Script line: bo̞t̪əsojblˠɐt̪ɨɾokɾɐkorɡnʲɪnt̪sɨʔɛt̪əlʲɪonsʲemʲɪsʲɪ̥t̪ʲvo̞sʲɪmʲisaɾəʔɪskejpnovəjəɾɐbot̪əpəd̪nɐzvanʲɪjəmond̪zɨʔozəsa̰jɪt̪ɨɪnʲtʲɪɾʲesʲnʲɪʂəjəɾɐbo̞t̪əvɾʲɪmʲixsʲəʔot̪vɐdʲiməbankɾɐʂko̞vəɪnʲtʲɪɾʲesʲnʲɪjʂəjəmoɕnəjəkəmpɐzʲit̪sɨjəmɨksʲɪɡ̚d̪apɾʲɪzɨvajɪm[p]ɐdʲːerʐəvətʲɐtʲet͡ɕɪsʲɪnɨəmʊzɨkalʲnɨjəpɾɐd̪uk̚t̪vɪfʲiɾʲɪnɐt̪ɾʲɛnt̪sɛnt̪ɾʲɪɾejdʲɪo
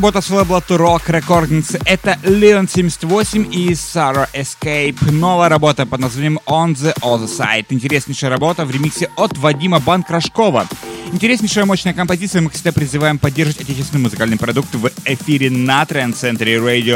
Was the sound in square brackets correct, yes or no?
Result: yes